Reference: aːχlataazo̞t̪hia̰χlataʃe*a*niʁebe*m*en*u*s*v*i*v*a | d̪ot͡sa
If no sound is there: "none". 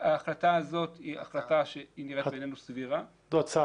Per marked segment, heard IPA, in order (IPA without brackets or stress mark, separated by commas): i, n, u, v, ʁ